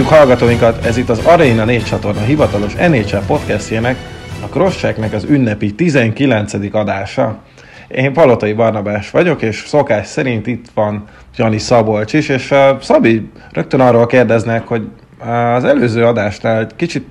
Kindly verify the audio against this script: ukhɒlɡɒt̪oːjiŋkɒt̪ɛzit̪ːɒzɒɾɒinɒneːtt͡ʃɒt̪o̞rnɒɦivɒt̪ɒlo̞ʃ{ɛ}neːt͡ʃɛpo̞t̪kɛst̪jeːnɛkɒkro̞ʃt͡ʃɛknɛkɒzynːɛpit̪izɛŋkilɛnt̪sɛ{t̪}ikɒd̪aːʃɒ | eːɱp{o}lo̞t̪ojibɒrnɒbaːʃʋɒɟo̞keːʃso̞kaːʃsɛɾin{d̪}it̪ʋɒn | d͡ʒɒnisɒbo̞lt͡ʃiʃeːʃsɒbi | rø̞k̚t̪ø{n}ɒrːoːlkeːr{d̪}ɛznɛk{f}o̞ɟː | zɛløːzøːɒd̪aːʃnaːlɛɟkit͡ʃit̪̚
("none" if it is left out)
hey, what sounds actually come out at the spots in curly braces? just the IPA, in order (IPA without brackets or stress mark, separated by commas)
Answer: ɛ, d̪, ɒ, t̪, n, d̪, h